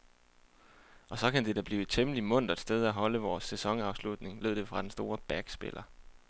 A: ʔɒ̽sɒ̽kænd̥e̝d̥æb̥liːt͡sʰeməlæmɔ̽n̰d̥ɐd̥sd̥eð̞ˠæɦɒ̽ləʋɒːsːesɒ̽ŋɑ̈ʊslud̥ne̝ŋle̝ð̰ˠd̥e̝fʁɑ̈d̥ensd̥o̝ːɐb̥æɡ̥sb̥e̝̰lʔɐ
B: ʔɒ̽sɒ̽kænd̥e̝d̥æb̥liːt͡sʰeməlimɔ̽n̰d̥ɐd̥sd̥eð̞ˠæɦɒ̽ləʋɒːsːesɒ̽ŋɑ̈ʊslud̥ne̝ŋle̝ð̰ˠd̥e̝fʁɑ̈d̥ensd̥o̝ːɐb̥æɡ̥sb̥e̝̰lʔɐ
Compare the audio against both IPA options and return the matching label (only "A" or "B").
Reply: B